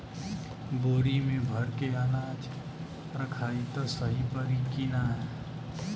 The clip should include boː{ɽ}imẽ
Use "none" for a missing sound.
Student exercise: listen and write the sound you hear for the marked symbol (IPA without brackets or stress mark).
ɾ